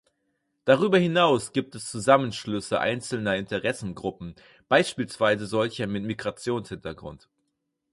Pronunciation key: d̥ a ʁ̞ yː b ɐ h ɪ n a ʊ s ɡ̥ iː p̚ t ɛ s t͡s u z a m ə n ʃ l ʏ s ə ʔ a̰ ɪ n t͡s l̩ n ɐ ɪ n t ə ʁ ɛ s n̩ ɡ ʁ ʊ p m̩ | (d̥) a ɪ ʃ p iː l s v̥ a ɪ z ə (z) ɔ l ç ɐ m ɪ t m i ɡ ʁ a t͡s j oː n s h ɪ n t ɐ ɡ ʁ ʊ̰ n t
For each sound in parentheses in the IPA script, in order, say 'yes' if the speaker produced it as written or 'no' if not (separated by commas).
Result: no, yes